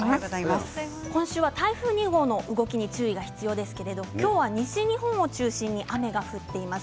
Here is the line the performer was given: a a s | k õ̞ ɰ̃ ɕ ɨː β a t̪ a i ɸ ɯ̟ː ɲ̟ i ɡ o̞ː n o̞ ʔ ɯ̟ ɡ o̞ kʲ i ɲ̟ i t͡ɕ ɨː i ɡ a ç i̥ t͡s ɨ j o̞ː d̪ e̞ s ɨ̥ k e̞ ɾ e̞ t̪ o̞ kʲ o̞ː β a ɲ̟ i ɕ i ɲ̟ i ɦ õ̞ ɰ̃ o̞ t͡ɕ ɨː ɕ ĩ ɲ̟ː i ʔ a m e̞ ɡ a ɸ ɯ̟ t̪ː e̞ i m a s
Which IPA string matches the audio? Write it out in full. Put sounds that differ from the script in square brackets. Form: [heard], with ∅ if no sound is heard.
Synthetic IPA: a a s | k õ̞ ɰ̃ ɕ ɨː β a t̪ a i ɸ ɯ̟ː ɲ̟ i ɡ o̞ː n o̞ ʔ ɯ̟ ɡ o̞ kʲ i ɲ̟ i t͡ɕ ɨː i ɡ a ç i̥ t͡s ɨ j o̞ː d̪ e̞ s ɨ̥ k e̞ ɾ e̞ [d̪] o̞ kʲ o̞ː β a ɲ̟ i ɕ i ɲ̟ i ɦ õ̞ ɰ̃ o̞ t͡ɕ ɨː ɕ ĩ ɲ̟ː i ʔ a m e̞ ɡ a ɸ ɯ̟ t̪ː e̞ i m a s